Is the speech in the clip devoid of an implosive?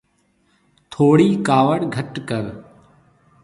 yes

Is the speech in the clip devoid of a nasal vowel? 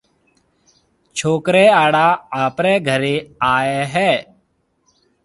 yes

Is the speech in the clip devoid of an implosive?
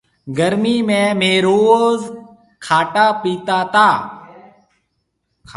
yes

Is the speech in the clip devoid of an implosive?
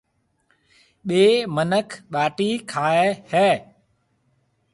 no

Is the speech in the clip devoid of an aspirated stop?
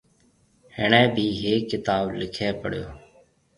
no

